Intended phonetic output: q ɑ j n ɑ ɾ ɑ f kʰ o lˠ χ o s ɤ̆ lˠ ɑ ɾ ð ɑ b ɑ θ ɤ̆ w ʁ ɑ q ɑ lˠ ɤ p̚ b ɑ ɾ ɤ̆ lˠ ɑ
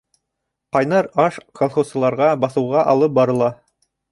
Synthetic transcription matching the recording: q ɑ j n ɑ ɾ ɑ ʃ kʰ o lˠ χ o s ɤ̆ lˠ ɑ ɾ ʁ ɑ b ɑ θ ɤ̆ w ʁ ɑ ʔ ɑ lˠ ɤ p̚ b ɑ ɾ ɤ̆ lˠ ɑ